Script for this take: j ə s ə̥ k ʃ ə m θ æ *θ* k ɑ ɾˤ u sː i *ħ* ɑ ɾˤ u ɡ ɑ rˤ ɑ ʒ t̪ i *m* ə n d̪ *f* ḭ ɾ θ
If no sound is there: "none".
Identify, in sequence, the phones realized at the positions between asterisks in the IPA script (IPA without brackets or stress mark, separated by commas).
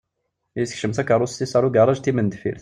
none, s, m, f